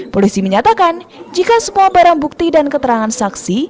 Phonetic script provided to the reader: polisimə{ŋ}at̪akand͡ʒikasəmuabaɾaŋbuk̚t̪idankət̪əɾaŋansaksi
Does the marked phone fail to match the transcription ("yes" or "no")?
yes